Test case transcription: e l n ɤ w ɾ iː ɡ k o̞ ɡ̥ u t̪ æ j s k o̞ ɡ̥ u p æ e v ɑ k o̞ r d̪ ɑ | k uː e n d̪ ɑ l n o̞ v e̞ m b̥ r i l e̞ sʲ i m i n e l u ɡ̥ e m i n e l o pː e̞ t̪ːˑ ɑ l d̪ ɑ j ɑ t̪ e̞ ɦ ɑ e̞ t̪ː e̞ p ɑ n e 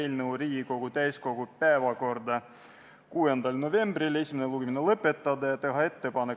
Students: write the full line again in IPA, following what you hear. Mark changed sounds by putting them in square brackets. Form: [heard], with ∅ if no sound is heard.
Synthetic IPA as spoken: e l n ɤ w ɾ iː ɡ k o̞ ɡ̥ u t̪ æ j s k o̞ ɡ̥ u p æ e v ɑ k o̞ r d̪ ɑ | k uː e n d̪ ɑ l n o̞ v e̞ m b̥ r i l e̞ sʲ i m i n e l u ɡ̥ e m i n e l [ɤ] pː e̞ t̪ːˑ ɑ [∅] d̪ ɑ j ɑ t̪ e̞ ɦ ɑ e̞ t̪ː e̞ p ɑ n e